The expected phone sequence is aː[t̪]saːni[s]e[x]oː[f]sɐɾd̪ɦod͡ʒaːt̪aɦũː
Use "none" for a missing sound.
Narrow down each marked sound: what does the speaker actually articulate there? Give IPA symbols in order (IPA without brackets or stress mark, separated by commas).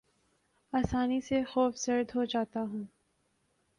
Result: none, s, x, f